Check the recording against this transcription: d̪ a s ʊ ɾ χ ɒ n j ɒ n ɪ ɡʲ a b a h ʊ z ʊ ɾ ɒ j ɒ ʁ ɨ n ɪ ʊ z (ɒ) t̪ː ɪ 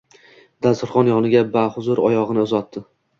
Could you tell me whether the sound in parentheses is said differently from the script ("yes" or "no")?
no